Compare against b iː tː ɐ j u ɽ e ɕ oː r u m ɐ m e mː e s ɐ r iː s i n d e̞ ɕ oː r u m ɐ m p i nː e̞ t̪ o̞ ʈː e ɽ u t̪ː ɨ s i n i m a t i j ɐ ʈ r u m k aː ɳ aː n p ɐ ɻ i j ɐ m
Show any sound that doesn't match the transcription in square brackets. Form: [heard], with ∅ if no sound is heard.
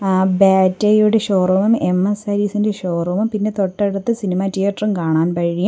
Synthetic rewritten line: b [aː] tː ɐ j u ɽ e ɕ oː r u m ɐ m e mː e s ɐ [ɾ] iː s i n d e̞ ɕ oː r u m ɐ m p i nː e̞ t̪ o̞ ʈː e ɽ u t̪ː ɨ s i n i m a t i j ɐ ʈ r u m k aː ɳ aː n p ɐ ɻ i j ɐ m